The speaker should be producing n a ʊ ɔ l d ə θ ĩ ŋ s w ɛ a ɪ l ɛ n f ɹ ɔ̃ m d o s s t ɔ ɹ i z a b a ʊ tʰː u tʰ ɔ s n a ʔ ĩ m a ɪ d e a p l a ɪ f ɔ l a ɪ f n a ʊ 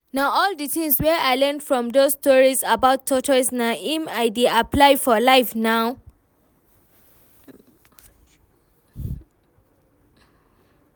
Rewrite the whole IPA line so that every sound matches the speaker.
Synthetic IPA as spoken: n a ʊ ɔ l d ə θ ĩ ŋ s w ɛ a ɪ l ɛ n f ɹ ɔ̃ m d o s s t ɔ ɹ i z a b a ʊ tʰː ɔ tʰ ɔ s n a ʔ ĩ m a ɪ d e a p l a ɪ f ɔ l a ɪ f n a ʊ